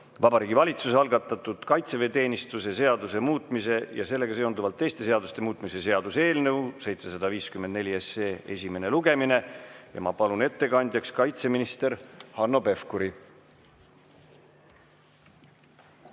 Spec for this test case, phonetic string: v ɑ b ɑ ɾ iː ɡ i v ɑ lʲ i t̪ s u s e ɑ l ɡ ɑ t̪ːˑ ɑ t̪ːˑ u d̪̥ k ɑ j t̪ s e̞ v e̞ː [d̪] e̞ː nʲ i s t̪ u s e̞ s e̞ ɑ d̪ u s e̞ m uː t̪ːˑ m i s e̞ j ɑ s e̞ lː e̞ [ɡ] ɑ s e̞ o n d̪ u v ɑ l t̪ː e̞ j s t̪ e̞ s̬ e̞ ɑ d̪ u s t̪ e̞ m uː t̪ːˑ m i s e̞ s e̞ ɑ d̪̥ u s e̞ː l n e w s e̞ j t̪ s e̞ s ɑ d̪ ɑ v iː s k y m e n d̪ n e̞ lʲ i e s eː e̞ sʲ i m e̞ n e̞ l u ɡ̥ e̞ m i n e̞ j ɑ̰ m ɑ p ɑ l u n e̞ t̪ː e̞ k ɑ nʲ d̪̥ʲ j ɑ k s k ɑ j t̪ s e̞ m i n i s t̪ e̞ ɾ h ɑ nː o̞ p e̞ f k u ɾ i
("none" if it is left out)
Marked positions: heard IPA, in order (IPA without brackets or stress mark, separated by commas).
t̪, ɡ